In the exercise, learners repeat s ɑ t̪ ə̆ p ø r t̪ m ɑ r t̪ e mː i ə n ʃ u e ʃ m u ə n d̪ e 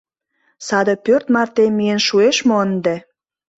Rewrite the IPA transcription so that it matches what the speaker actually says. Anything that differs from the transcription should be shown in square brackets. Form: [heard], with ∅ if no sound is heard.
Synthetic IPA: s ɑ [d̪] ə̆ p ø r t̪ m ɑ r t̪ e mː i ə n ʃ u e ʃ m [o] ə n d̪ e